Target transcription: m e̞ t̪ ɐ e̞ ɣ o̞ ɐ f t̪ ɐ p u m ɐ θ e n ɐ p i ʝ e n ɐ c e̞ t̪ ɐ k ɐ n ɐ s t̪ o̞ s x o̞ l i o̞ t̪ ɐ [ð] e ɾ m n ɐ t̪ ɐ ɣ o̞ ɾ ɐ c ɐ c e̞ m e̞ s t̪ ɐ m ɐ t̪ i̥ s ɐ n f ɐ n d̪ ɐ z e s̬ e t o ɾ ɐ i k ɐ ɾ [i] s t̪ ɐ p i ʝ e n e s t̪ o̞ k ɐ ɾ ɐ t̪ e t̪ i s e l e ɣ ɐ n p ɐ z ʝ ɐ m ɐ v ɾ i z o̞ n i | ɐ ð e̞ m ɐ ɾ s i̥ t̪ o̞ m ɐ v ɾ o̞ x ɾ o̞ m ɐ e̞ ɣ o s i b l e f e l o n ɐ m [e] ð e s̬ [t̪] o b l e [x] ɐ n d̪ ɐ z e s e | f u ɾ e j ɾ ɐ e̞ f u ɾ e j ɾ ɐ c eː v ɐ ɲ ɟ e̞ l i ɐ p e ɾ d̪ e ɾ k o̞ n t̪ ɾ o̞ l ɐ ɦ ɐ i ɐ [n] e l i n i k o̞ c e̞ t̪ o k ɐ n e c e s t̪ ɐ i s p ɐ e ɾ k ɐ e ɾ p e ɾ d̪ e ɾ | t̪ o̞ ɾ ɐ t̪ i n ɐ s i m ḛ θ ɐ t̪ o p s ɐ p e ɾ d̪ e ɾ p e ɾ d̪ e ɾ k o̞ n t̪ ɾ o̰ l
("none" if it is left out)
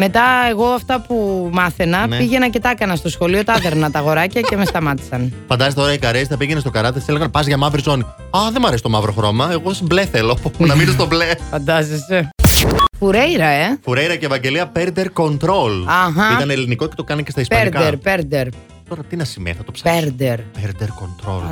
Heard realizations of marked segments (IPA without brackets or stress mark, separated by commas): ð, e, i, t̪, f, n